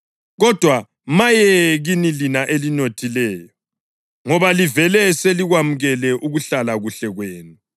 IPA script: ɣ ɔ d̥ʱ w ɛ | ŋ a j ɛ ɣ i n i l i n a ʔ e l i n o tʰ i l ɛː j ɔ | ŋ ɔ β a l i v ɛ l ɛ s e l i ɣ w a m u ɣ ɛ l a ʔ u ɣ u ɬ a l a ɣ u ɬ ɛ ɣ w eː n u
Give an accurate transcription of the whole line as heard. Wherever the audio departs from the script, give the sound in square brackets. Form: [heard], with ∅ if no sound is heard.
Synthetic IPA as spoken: ɣ ɔ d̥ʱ w [a] | [m] a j ɛ ɣ i n i l i n a ʔ e l i n o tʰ i l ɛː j ɔ | ŋ ɔ β a l i v ɛ l ɛ s e l i ɣ w a m u ɣ ɛ l [ɛ] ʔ u ɣ u ɬ a l a ɣ u ɬ ɛ ɣ w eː n u